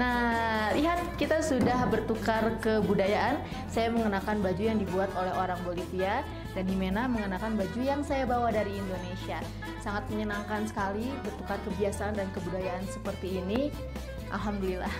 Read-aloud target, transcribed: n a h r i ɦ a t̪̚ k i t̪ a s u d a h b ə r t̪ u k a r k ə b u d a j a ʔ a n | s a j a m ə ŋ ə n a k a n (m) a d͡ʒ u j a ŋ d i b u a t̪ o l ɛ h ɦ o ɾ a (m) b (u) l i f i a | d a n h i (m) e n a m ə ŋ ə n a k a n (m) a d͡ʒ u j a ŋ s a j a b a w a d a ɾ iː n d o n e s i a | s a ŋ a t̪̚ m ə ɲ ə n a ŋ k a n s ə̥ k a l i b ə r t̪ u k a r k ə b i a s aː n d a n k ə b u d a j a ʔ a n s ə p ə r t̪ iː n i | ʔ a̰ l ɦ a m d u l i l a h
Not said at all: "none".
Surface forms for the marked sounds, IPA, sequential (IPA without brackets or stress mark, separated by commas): b, ŋ, o, m, b